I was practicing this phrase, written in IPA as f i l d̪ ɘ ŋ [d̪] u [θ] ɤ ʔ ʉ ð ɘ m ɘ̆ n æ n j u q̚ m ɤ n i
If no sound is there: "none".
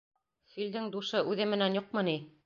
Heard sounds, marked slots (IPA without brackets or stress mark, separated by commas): d̪, ʃ